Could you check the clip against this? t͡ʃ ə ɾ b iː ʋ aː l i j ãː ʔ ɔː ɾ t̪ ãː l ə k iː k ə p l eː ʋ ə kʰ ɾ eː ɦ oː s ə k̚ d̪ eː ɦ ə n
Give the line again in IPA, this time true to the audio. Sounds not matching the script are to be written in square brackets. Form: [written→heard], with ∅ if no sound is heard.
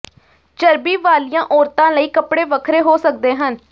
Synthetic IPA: t͡ʃ ə ɾ b iː ʋ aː l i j ãː ʔ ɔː ɾ t̪ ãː l ə [k→∅] iː k ə p [l→ɽ] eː ʋ ə kʰ ɾ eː ɦ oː s ə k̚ d̪ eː ɦ ə n